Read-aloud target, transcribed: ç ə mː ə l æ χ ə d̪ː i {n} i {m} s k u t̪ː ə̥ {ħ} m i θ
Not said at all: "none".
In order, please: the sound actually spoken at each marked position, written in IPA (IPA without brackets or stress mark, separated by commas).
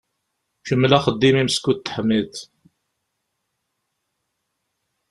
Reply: m, m, ħ